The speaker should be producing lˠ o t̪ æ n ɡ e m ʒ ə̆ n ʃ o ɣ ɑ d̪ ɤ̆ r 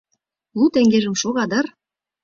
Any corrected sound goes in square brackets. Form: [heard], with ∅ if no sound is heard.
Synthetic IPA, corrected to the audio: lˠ [u] t̪ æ [ŋ] ɡ e [∅] ʒ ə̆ [m] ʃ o ɣ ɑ d̪ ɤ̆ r